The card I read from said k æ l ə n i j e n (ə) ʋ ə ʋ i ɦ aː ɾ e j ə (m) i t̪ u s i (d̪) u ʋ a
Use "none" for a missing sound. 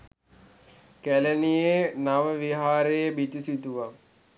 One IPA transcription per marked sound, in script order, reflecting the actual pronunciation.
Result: a, b, t̪

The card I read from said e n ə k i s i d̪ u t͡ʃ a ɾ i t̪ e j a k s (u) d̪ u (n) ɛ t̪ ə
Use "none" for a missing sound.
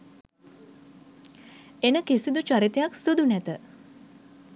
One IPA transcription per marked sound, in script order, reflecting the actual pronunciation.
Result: u, n

